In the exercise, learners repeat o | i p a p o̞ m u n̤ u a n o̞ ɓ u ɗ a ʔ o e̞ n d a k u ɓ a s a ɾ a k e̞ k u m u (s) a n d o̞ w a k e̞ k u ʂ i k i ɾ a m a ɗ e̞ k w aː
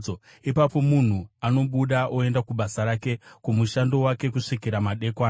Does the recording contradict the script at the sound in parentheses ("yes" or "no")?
yes